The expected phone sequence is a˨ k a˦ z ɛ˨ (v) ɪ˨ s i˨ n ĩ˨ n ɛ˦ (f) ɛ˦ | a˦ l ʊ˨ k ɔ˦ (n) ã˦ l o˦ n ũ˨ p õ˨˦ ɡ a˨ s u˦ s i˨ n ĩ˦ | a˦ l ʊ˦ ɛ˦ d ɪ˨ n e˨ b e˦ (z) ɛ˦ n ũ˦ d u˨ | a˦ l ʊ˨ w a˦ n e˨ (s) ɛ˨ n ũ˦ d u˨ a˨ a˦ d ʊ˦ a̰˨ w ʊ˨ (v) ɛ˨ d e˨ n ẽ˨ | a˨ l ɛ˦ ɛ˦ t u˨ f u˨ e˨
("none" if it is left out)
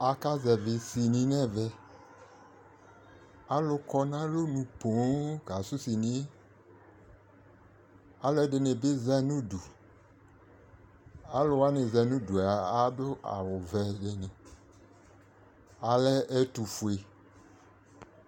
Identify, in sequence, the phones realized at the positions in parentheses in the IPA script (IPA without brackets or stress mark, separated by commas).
v, v, n, z, z, v